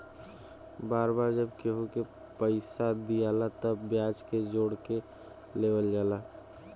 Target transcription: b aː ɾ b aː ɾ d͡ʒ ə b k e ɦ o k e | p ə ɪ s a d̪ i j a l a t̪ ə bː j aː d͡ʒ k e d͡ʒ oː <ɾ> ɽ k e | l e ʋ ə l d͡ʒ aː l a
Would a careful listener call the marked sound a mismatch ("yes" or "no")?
yes